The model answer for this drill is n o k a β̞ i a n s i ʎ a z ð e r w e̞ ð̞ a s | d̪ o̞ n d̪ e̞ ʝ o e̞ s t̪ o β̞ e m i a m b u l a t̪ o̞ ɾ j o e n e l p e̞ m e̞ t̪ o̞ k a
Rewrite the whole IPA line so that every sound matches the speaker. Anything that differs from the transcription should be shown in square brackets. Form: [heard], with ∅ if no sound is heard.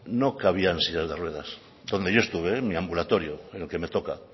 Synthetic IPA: n o k a β̞ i a n s i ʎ a z ð e r w e̞ ð̞ a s | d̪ o̞ n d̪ e̞ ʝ o e̞ s t̪ [u] β̞ e m i a m b u l a t̪ o̞ ɾ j o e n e l [k] e̞ m e̞ t̪ o̞ k a